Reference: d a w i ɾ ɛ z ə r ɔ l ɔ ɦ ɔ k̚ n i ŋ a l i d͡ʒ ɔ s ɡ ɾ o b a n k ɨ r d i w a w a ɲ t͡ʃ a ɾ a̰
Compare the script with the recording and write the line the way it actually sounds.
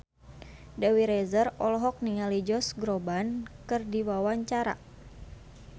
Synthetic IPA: d a w i ɾ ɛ z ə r ɔ l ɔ ɦ ɔ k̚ n i ŋ a l i d͡ʒ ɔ s ɡ ɾ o b a n k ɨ r d i w a w a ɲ t͡ʃ a ɾ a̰

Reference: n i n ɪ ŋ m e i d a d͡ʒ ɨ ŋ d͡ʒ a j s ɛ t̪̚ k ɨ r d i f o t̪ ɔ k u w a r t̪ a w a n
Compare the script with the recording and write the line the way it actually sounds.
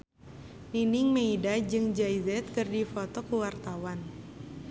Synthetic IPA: n i n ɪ ŋ m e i d a d͡ʒ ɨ ŋ d͡ʒ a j z ɛ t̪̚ k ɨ r d i f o t̪ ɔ k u w a r t̪ a w a n

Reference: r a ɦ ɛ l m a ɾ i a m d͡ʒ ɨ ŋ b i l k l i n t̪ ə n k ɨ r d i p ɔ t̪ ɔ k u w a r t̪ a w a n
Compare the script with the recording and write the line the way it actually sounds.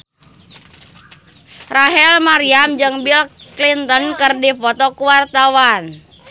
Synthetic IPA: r a ɦ ɛ l m a ɾ i a m d͡ʒ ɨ ŋ b i l k l i n t̪ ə n k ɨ r d i p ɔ t̪ ɔ k u w a r t̪ a w a n

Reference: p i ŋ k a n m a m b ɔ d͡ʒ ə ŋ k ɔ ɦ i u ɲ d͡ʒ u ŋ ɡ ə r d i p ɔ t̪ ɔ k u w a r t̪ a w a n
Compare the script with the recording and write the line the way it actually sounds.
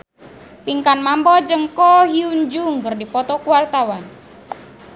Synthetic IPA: p i ŋ k a n m a m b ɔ d͡ʒ ə ŋ k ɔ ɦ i u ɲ d͡ʒ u ŋ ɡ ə r d i p ɔ t̪ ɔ k u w a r t̪ a w a n

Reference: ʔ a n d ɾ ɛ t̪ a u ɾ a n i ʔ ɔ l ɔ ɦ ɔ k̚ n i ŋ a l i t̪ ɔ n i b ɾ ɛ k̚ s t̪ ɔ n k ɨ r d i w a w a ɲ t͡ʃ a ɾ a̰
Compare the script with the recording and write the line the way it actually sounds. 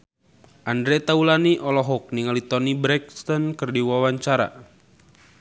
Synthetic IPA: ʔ a n d ɾ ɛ t̪ a u l a n i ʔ ɔ l ɔ ɦ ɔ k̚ n i ŋ a l i t̪ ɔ n i b ɾ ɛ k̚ s t̪ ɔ n k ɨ r d i w a w a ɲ t͡ʃ a ɾ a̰

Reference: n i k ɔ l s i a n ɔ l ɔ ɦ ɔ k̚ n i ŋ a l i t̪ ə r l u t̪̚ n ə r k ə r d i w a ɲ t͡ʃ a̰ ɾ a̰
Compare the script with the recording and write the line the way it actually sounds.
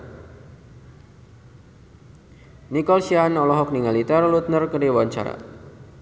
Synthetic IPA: n i k ɔ l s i a n ɔ l ɔ ɦ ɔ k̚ n i ŋ a l i t̪ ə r l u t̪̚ n ə r k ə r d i w a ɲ t͡ʃ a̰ ɾ a̰

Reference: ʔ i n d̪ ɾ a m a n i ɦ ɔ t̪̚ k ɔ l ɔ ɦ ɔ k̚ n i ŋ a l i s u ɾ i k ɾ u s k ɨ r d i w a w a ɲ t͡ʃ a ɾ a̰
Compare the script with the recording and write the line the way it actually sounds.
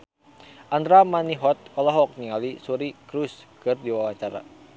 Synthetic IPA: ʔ a n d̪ ɾ a m a n i ɦ ɔ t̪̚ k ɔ l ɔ ɦ ɔ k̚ n i ŋ a l i s u ɾ i k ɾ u s k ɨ r d i w a w a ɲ t͡ʃ a ɾ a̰

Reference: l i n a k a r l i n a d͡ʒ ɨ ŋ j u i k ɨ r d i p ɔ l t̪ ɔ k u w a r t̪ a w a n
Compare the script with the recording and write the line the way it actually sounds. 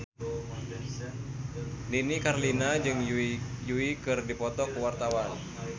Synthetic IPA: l i n i k a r l i n a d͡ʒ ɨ ŋ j u i k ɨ r d i p ɔ t̪ ɔ k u w a r t̪ a w a n

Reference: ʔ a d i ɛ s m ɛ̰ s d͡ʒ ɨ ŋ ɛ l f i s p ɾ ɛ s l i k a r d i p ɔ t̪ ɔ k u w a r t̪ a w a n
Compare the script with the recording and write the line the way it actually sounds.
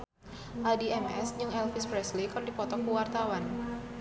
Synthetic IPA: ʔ a d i ɛ m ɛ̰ s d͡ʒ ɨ ŋ ɛ l f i s p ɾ ɛ s l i k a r d i p ɔ t̪ ɔ k u w a r t̪ a w a n

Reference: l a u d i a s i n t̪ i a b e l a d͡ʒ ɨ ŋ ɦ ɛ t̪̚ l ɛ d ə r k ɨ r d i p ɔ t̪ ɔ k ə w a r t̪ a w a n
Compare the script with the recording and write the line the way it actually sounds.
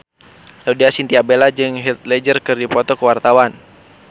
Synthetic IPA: l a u d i a s i n t̪ i a b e l a d͡ʒ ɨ ŋ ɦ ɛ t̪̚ l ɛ d͡ʒ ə r k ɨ r d i p ɔ t̪ ɔ k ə w a r t̪ a w a n

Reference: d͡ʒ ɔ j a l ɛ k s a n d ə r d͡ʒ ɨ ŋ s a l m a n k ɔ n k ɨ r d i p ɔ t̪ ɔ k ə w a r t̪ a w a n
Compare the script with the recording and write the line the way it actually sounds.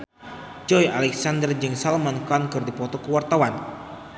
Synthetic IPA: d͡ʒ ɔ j a l ɛ k s a n d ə r d͡ʒ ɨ ŋ s a l m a n k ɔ n k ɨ r d i p ɔ t̪ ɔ k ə w a r t̪ a w a n

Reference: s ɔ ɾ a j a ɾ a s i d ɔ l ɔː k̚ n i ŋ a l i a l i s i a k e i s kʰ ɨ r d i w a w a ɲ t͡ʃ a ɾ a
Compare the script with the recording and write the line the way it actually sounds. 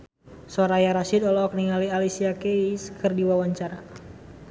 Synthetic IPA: s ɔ ɾ a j a ɾ a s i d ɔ l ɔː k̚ n i ŋ a l i a l i s i a k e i s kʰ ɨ r d i w a w a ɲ t͡ʃ a ɾ a

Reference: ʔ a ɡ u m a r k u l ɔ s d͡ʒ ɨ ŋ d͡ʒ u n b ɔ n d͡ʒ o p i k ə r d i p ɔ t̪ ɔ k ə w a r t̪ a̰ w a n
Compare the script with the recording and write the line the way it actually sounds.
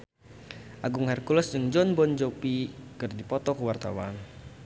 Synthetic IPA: ʔ a ɡ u ŋ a r k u l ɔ s d͡ʒ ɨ ŋ d͡ʒ ɔ n b ɔ n d͡ʒ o p i k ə r d i p ɔ t̪ ɔ k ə w a r t̪ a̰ w a n

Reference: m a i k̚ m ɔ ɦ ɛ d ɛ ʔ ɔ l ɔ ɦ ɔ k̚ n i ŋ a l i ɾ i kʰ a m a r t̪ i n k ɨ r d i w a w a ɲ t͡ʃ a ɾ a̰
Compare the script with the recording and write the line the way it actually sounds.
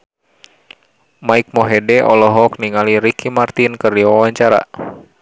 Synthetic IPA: m a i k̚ m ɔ ɦ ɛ d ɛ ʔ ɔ l ɔ ɦ ɔ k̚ n i ŋ a l i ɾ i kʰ i m a r t̪ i n k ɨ r d i w a w a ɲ t͡ʃ a ɾ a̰

